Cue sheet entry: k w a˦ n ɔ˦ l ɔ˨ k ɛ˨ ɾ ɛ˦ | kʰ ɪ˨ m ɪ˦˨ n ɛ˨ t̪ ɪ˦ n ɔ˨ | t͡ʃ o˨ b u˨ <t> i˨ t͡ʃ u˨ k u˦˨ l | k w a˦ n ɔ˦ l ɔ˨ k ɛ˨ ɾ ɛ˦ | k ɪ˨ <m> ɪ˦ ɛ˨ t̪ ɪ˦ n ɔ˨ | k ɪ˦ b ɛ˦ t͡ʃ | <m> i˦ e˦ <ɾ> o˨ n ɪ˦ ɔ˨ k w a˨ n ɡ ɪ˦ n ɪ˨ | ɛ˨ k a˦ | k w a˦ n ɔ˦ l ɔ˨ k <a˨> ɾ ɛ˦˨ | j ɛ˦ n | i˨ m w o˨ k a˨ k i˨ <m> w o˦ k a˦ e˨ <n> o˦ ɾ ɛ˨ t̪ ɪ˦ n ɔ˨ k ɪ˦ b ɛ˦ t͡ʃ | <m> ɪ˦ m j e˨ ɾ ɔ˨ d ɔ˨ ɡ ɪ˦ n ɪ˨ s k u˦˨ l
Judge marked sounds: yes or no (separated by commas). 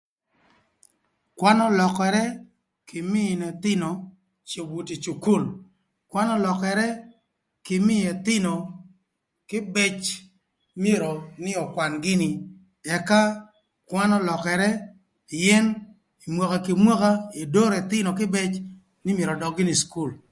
yes, yes, yes, yes, no, yes, no, no